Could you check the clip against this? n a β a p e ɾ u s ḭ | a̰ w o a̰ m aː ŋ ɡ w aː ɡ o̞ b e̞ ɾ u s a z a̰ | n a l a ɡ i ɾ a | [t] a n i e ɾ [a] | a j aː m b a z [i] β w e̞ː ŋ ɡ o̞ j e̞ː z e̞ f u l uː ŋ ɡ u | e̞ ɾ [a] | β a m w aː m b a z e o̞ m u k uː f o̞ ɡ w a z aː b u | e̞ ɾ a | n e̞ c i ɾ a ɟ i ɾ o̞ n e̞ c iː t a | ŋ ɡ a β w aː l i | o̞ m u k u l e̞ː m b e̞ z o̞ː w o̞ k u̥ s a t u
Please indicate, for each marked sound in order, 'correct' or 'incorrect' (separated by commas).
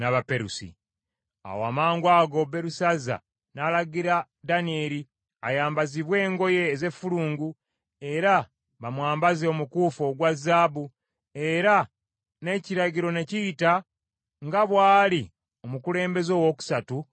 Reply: incorrect, incorrect, correct, correct